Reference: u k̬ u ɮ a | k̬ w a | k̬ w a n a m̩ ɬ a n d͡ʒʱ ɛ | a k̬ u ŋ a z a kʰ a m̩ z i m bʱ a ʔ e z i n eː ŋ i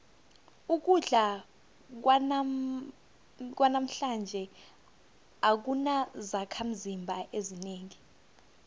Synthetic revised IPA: u k̬ u ɮ a | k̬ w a | k̬ w a n a m̩ ɬ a n d͡ʒʱ ɛ | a k̬ u n a z a kʰ a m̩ z i m bʱ a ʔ e z i n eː ŋ i